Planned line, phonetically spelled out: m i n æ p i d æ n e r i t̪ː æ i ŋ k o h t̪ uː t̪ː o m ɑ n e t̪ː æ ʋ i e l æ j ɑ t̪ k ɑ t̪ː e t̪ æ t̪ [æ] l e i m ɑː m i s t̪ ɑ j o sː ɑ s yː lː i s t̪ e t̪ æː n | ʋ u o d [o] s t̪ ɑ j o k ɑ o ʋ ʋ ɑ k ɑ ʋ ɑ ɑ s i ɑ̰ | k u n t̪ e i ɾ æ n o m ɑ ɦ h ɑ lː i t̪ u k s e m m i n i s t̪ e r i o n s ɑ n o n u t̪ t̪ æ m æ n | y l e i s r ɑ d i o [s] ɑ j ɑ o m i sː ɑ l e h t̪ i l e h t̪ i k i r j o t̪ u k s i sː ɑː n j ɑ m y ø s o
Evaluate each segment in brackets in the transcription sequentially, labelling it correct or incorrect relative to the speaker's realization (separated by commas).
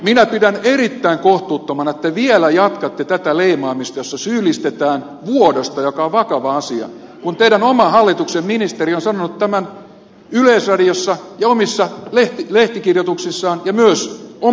correct, correct, incorrect